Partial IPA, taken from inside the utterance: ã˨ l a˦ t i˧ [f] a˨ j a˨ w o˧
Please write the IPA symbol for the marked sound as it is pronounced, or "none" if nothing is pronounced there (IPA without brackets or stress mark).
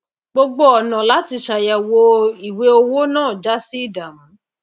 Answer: ʃ